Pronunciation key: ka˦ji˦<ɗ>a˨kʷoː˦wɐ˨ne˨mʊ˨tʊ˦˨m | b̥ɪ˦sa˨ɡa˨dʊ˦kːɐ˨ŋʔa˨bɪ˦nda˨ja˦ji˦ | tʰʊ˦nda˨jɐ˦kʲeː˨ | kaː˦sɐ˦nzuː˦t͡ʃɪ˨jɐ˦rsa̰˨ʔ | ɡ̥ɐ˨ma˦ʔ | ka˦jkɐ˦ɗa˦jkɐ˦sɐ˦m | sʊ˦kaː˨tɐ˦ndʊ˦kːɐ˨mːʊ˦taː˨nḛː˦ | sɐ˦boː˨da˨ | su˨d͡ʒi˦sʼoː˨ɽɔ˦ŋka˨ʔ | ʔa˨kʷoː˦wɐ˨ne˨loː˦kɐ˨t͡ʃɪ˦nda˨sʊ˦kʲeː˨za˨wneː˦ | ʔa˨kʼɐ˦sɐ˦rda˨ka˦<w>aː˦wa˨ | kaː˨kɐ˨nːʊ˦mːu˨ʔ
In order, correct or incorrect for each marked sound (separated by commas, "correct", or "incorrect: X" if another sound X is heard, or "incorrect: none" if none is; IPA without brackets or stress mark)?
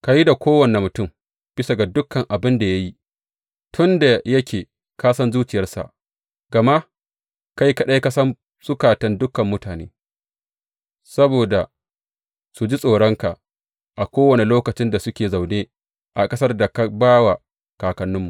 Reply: incorrect: d, incorrect: b